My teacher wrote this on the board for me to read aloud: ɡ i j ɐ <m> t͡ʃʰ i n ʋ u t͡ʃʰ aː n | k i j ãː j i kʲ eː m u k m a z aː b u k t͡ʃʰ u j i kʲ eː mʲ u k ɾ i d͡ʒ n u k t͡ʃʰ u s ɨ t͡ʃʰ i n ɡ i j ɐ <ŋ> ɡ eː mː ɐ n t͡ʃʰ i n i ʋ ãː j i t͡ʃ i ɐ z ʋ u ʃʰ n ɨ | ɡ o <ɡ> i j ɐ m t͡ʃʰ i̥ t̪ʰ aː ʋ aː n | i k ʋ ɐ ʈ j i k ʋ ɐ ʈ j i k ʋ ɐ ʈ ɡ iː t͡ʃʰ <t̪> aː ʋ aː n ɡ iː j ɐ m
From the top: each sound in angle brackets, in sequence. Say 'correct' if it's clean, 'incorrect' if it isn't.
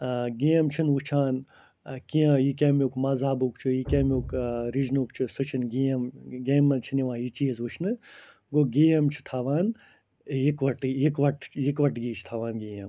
correct, incorrect: m, correct, incorrect: t̪ʰ

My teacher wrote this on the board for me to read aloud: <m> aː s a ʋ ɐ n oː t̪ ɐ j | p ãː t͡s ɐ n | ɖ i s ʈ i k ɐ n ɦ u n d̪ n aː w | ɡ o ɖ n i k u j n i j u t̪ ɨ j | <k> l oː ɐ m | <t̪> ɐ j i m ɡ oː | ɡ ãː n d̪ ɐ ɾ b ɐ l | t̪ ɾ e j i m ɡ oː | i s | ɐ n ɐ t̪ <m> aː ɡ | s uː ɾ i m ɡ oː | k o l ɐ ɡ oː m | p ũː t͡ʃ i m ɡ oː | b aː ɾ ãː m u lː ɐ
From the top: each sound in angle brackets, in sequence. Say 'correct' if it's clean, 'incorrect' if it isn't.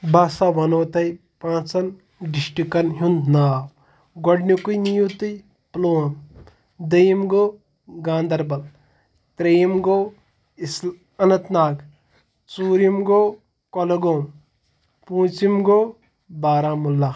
incorrect: b, incorrect: p, incorrect: d̪, incorrect: n

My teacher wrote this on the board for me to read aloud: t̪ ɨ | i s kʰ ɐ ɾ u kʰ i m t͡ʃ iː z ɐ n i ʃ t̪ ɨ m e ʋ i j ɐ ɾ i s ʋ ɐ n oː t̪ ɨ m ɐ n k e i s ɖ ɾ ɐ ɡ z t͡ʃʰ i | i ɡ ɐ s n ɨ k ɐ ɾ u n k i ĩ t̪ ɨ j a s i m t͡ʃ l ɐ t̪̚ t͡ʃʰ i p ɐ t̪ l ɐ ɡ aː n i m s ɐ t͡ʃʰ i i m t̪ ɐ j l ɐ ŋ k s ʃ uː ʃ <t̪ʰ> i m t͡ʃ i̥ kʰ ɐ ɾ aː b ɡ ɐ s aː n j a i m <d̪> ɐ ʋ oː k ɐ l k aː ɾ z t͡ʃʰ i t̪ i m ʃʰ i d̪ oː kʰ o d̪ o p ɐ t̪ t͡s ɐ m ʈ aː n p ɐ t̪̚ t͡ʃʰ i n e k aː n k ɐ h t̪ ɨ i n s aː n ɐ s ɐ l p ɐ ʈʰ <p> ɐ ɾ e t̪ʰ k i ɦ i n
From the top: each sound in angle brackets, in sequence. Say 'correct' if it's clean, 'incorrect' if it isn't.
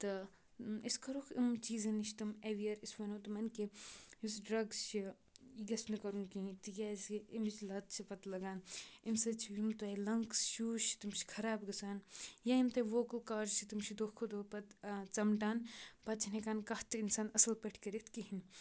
incorrect: t̪, incorrect: t̪, incorrect: k

